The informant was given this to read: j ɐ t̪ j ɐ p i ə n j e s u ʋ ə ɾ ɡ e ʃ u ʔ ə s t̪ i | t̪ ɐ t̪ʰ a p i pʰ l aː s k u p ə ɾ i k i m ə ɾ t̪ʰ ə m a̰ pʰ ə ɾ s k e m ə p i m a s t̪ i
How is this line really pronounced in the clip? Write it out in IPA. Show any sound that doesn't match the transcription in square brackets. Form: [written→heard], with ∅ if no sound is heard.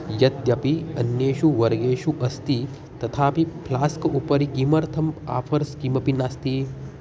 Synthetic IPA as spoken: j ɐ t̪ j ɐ p i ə n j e [s→ʃ] u ʋ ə ɾ ɡ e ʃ u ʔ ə s t̪ i | t̪ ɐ t̪ʰ a p i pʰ l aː s k u p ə ɾ i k i m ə ɾ t̪ʰ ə m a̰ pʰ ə ɾ s k [e→i] m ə p i [m→n] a s t̪ i

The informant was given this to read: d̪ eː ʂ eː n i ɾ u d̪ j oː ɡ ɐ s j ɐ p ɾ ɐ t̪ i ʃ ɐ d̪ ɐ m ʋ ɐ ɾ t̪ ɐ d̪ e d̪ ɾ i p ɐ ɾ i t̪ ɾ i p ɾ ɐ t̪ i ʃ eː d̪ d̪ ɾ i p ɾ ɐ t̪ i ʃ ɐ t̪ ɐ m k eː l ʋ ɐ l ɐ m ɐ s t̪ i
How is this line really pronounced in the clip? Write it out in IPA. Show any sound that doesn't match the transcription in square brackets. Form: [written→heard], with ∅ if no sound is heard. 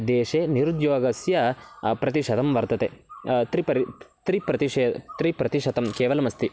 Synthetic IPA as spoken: d̪ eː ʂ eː n i ɾ u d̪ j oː ɡ ɐ s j ɐ p ɾ ɐ t̪ i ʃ ɐ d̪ ɐ m ʋ ɐ ɾ t̪ ɐ [d̪→t̪] e [d̪→t̪] ɾ i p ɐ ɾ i t̪ ɾ i p ɾ ɐ t̪ i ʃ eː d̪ [d̪→t̪] ɾ i p ɾ ɐ t̪ i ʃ ɐ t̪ ɐ m k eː [l→∅] ʋ ɐ l ɐ m ɐ s t̪ i

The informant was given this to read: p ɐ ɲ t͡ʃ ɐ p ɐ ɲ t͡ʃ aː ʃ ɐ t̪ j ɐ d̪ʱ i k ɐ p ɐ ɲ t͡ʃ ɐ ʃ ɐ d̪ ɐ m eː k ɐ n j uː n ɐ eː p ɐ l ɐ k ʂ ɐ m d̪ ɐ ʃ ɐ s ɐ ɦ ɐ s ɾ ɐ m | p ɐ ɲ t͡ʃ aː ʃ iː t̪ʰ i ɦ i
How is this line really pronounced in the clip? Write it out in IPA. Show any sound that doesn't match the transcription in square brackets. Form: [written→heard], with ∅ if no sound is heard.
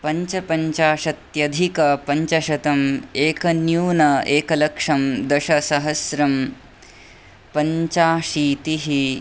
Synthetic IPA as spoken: p ɐ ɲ t͡ʃ ɐ p ɐ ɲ t͡ʃ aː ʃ ɐ t̪ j ɐ d̪ʱ i k ɐ p ɐ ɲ t͡ʃ ɐ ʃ ɐ [d̪→t̪] ɐ m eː k ɐ n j uː n ɐ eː [p→k] ɐ l ɐ k ʂ ɐ m d̪ ɐ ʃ ɐ s ɐ ɦ ɐ s ɾ ɐ m | p ɐ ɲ t͡ʃ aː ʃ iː [t̪ʰ→t̪] i ɦ i

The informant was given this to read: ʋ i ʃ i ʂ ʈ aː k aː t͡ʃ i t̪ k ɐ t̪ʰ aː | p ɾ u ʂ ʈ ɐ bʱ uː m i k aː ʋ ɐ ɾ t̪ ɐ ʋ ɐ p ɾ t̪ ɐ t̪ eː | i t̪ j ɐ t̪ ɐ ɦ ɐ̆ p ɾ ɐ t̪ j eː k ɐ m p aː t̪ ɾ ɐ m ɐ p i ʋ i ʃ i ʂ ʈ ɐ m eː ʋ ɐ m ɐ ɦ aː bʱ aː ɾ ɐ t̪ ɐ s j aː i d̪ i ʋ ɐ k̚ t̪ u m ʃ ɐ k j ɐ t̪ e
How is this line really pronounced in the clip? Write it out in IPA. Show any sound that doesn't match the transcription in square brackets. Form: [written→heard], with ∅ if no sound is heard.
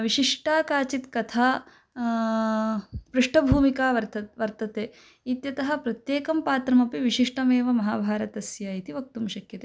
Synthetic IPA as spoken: ʋ i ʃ i ʂ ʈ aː k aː t͡ʃ i t̪ k ɐ t̪ʰ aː | p ɾ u ʂ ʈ ɐ bʱ uː m i k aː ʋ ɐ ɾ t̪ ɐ ʋ ɐ [p→∅] ɾ t̪ ɐ t̪ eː | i t̪ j ɐ t̪ ɐ ɦ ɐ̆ p ɾ ɐ t̪ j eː k ɐ m p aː t̪ ɾ ɐ m ɐ p i ʋ i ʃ i ʂ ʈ ɐ m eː ʋ ɐ m ɐ ɦ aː bʱ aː ɾ ɐ t̪ ɐ s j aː i [d̪→t̪] i ʋ ɐ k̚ t̪ u m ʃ ɐ k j ɐ t̪ e

